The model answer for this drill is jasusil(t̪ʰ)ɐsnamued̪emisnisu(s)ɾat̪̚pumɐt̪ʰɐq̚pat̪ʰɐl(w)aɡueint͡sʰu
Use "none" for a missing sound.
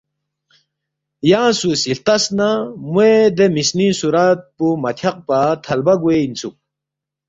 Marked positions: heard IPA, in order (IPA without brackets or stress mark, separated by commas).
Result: t̪, none, b